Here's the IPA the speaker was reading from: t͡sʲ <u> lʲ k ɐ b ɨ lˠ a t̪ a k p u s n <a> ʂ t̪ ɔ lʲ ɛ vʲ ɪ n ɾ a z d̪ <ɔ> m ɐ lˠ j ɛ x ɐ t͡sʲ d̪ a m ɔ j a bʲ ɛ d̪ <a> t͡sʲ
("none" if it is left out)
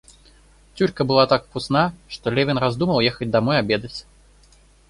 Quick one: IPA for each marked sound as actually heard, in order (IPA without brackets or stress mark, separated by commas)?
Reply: u, a, u, ɐ